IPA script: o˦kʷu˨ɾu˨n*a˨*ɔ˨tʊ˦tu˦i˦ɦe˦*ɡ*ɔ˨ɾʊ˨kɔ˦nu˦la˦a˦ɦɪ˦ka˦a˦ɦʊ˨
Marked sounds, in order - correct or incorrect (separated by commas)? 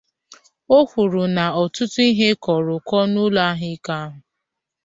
correct, incorrect